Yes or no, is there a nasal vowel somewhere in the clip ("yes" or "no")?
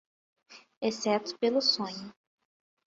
yes